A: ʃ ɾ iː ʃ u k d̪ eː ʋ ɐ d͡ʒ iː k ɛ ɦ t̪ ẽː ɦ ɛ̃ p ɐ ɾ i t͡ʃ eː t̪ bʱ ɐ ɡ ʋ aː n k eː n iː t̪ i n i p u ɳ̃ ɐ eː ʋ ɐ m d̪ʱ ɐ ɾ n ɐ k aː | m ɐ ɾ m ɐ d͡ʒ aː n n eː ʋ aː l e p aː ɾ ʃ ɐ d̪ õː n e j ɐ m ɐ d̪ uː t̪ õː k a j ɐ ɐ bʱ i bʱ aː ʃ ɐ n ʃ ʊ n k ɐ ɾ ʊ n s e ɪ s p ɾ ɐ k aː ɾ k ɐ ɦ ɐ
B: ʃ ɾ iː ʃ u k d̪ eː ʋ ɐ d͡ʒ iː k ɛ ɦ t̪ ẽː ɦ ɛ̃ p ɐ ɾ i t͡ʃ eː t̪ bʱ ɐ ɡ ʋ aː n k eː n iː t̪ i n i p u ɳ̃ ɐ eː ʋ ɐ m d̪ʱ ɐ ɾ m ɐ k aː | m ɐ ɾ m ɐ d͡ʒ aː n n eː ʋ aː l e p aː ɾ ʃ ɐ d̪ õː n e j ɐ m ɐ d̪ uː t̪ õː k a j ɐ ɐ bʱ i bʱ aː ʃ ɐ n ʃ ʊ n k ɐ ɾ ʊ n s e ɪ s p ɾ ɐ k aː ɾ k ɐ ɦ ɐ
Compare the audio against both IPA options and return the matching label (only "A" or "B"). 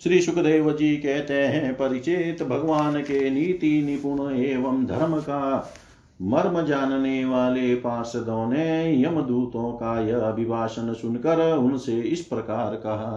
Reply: B